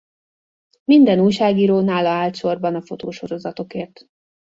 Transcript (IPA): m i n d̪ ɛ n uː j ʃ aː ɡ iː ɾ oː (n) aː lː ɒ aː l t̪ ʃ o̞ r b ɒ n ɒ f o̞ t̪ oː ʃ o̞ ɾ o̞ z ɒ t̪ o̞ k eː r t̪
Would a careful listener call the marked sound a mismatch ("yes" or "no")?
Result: no